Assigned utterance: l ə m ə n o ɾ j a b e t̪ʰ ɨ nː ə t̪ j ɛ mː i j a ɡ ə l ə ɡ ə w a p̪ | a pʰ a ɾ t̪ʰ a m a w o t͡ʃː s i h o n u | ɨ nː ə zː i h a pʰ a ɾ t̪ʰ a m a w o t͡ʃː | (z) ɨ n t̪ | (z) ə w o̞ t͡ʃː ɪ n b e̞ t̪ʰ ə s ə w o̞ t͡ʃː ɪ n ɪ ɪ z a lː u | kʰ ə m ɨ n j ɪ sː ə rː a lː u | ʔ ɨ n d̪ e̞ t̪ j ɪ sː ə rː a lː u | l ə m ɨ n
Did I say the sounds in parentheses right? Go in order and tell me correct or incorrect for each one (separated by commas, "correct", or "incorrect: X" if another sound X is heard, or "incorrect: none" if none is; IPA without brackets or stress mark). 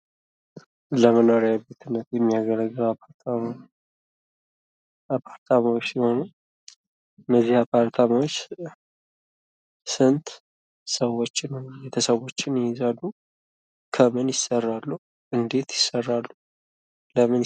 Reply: incorrect: s, incorrect: s